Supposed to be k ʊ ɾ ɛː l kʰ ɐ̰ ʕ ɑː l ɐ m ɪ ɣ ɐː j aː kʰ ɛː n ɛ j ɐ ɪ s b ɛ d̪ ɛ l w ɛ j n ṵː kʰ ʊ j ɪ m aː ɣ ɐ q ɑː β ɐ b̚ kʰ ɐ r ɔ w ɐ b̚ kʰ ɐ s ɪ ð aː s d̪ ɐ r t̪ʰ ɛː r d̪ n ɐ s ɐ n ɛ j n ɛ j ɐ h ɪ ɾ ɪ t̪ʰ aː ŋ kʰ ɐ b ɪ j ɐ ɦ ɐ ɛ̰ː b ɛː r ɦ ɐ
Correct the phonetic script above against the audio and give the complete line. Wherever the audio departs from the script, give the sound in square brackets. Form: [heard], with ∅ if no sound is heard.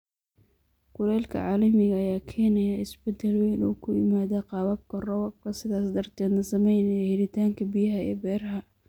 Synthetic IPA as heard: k ʊ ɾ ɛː l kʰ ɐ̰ ʕ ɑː l ɐ m ɪ ɣ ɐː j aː kʰ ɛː n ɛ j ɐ ɪ s b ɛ d̪ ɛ l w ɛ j n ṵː kʰ ʊ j ɪ m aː [ð] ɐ q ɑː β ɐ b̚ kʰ ɐ r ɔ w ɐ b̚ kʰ ɐ s ɪ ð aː s d̪ ɐ r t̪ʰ ɛː [∅] d̪ n ɐ s ɐ [m] ɛ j n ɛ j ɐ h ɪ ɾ ɪ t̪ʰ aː ŋ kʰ ɐ b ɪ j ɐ ɦ ɐ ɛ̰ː b ɛː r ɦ ɐ